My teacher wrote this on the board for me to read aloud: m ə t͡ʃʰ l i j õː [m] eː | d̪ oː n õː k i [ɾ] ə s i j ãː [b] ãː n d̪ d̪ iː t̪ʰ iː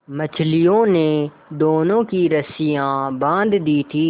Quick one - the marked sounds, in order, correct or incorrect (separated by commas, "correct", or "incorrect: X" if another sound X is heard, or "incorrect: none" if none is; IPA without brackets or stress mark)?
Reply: incorrect: n, correct, correct